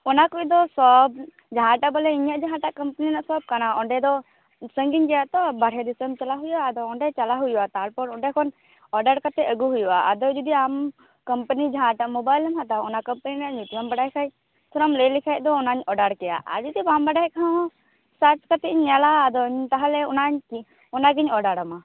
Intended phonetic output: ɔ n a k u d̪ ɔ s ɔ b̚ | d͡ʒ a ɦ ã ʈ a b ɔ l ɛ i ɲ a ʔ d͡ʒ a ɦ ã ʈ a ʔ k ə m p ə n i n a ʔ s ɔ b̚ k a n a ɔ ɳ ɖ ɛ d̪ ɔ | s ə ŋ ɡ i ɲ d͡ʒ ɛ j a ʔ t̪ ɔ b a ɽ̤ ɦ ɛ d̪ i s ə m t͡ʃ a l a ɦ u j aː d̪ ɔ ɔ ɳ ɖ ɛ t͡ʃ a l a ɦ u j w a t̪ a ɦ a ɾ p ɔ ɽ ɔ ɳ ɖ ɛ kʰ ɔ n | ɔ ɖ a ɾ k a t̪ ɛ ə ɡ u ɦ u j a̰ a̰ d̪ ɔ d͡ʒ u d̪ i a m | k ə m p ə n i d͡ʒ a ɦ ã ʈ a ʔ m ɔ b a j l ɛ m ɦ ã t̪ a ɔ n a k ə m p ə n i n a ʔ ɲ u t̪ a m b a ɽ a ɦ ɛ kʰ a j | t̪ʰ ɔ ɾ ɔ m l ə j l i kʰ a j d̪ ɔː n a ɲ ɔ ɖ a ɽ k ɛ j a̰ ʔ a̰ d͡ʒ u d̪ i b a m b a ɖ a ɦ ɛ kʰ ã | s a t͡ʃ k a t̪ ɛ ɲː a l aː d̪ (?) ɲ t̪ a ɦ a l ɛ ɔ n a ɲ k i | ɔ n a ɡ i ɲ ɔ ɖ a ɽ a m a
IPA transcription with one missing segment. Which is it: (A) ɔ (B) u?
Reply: A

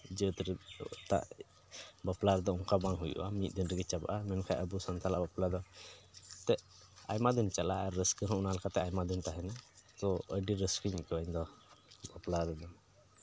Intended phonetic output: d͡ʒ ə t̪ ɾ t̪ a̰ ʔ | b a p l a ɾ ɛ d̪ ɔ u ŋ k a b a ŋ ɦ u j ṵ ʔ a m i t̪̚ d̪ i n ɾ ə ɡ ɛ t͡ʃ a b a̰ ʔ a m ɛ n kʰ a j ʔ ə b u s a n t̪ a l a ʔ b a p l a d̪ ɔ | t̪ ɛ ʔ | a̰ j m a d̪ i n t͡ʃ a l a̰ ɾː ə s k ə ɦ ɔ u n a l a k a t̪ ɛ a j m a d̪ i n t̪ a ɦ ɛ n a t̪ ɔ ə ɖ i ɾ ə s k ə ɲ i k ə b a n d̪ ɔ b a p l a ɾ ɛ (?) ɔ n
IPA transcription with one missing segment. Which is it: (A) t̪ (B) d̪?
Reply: B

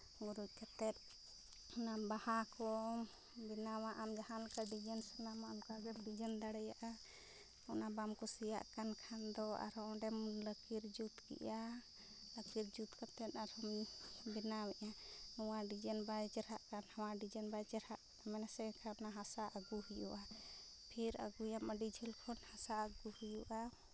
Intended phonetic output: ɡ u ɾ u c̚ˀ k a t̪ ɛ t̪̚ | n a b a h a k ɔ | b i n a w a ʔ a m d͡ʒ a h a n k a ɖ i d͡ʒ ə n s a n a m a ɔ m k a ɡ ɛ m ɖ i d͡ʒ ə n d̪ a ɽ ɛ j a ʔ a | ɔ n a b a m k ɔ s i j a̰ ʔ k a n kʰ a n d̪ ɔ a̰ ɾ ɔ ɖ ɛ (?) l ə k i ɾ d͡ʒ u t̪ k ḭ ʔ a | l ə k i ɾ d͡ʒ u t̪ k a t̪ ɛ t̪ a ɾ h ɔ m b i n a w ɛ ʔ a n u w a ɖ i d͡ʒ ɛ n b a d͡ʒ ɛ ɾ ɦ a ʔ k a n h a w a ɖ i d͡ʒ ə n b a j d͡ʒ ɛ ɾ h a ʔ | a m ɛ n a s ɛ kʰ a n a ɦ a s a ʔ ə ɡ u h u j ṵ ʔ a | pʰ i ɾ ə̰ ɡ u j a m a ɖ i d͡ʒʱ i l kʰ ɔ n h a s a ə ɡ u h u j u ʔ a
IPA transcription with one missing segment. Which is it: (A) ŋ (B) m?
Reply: B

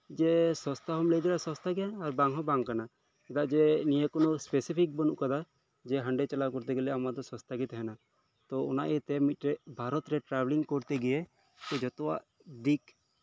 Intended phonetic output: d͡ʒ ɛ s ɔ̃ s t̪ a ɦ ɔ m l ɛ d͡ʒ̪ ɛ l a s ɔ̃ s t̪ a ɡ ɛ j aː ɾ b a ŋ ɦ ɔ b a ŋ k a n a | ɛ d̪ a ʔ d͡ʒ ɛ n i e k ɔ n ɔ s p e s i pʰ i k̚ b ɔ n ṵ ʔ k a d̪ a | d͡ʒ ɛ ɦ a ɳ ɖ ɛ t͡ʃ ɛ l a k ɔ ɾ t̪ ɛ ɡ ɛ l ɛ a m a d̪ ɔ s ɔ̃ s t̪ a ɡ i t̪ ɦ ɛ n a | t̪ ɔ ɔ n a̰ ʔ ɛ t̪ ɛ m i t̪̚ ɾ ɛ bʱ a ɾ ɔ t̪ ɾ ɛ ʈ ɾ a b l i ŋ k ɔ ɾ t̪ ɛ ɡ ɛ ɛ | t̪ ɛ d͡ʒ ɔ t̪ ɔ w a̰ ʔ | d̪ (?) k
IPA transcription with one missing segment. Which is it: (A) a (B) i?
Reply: B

